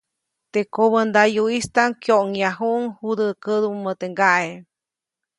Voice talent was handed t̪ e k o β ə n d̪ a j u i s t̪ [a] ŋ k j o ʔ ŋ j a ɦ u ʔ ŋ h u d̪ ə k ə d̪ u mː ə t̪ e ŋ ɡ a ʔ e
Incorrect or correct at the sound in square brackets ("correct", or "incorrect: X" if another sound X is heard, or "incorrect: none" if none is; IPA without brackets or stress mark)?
correct